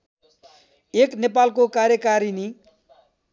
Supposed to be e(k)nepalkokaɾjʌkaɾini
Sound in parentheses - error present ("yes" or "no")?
no